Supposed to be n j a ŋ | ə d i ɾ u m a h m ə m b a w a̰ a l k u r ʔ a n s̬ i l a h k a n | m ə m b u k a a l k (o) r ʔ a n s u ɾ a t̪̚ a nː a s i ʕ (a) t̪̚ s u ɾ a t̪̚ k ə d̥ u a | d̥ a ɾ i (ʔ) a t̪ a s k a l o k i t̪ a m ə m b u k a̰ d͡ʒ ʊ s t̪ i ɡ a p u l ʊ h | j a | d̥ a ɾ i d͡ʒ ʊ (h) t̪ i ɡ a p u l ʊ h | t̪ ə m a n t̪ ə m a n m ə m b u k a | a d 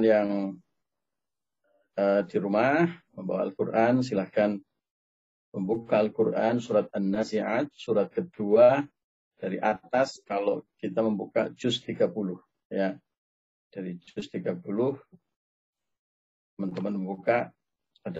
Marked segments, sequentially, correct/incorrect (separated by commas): incorrect, correct, correct, incorrect